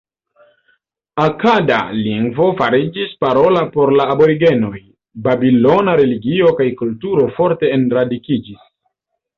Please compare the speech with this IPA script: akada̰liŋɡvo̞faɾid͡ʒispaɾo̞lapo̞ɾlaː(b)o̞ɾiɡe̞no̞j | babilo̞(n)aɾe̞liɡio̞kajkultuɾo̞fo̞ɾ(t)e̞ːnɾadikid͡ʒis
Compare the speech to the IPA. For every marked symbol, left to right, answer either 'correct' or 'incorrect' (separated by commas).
correct, correct, correct